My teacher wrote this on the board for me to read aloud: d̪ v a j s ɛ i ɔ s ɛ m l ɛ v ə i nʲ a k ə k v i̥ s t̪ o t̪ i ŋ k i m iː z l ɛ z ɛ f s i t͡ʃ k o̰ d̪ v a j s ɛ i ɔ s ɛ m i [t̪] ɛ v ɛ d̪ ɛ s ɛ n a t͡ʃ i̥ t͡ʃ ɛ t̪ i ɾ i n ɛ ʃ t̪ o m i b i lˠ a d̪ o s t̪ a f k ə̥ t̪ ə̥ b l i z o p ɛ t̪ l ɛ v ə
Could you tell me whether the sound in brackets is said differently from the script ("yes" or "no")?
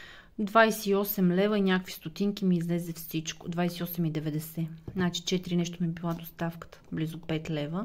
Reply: yes